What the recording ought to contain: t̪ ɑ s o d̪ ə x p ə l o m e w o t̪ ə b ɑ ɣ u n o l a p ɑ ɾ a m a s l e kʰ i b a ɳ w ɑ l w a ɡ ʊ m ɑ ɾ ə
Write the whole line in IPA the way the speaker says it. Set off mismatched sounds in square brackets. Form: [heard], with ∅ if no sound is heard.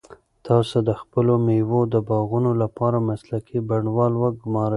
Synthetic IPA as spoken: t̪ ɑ s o d̪ ə x p ə l o m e w o [d̪] ə b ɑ ɣ u n o l a p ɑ ɾ a m a s l [a] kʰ i b a ɳ w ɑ l w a ɡ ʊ m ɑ ɾ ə